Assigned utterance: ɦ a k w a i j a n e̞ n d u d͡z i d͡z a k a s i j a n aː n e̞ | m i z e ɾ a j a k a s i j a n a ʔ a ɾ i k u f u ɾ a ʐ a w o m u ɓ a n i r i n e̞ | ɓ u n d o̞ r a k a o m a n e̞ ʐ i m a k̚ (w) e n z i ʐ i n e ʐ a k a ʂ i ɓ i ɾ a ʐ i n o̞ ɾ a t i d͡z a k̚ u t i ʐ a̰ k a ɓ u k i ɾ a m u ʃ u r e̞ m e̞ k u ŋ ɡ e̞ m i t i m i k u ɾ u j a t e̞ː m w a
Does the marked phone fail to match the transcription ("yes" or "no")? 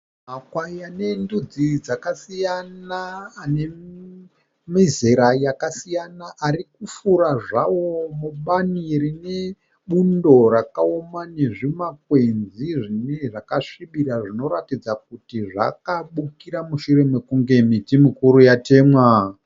no